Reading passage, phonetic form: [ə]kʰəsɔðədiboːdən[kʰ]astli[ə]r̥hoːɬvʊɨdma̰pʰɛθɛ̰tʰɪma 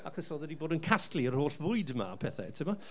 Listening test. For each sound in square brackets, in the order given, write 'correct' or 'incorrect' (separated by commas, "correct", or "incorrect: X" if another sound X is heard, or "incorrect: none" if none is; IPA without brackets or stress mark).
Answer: incorrect: a, correct, correct